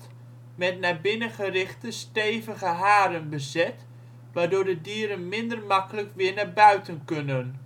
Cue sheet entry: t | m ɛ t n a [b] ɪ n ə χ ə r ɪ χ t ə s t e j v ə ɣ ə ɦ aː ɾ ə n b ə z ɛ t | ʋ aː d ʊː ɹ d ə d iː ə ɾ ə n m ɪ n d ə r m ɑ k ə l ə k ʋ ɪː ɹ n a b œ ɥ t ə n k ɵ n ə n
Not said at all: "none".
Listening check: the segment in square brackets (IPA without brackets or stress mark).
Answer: b